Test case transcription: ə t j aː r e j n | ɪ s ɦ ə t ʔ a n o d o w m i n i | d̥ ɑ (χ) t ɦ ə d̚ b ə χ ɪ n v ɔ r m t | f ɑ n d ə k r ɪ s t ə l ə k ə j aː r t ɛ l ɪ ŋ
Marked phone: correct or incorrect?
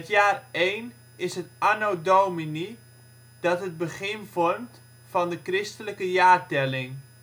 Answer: incorrect